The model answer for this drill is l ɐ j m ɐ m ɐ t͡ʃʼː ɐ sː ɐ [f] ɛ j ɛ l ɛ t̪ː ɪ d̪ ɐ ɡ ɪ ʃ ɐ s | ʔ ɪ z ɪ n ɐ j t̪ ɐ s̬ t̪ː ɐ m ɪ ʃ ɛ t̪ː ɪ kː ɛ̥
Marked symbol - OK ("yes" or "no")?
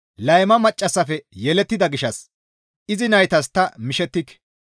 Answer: yes